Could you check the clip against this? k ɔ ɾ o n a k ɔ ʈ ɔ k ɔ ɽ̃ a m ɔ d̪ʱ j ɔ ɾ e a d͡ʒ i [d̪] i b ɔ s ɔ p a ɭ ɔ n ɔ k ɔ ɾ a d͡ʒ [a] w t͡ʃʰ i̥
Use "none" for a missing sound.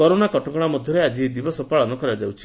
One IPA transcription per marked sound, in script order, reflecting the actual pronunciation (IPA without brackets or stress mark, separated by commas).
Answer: d̪, a